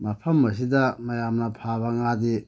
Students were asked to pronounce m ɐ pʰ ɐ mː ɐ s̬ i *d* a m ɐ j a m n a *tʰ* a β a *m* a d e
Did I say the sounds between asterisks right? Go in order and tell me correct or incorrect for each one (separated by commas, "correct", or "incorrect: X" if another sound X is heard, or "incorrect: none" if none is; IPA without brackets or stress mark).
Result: correct, incorrect: pʰ, incorrect: ŋ